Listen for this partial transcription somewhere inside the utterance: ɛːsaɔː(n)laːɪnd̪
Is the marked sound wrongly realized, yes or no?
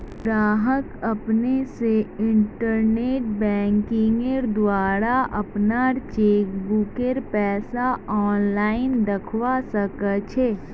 no